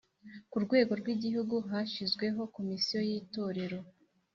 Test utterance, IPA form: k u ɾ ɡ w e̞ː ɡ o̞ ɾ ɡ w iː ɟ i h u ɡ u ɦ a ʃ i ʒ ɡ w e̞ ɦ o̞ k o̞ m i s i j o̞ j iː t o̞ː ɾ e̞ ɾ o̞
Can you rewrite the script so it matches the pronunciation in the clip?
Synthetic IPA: k u ɾ ɡ w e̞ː ɡ o̞ ɾ ɡ w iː ɟ i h u ɡ u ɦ a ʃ i z ɡ w e̞ ɦ o̞ k o̞ m i s i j o̞ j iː t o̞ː ɾ e̞ ɾ o̞